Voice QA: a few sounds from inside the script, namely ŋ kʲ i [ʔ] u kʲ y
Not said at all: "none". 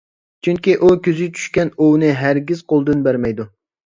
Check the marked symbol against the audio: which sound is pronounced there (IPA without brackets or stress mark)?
ʔ